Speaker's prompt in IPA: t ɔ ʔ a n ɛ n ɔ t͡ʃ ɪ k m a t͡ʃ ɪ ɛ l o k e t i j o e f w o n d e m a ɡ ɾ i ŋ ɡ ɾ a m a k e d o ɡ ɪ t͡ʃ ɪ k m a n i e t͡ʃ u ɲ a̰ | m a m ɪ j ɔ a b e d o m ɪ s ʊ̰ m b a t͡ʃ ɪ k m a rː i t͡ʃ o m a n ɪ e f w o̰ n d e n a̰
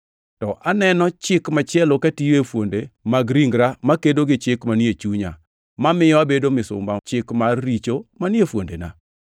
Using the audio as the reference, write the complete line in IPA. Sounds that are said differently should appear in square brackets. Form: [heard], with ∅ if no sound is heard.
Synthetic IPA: t ɔ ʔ a n ɛ n ɔ t͡ʃ ɪ k m a t͡ʃ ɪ ɛ l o k [a] t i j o e f w o n d e m a ɡ ɾ i ŋ ɡ ɾ a m a k e d o ɡ ɪ t͡ʃ ɪ k m a n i e t͡ʃ u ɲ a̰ | m a m ɪ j ɔ a b e d o m ɪ s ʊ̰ m b a t͡ʃ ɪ k m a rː i t͡ʃ o m a n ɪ e f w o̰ n d e n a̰